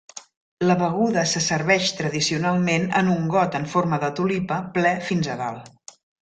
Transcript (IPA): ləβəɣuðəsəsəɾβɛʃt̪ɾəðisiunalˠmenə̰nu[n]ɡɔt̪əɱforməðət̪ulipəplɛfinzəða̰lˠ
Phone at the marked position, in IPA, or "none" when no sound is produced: ŋ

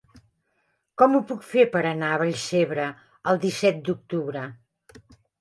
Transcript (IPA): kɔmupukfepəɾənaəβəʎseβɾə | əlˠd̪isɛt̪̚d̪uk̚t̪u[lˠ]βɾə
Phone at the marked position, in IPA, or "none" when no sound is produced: none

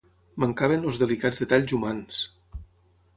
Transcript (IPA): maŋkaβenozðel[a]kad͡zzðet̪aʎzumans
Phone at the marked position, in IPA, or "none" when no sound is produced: i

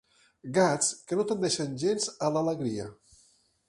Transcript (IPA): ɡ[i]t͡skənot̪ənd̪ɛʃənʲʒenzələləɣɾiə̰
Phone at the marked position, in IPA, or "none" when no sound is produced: a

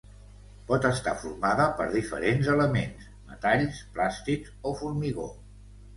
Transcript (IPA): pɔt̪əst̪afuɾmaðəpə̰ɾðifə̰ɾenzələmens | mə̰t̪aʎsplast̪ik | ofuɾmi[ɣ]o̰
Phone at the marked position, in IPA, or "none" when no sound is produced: ɣ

